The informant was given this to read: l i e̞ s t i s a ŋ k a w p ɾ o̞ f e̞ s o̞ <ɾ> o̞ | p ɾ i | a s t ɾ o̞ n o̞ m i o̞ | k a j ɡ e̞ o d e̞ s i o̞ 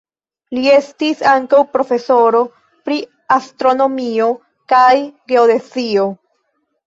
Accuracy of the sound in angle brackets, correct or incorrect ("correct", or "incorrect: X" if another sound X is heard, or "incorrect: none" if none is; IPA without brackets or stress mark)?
correct